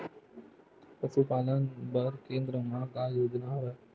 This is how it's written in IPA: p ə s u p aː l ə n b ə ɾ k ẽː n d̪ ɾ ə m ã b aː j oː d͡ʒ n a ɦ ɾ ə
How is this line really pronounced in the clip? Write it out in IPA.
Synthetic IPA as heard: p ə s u p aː l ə n b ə ɾ k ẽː n d̪ ɾ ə m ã ɡ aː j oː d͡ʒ n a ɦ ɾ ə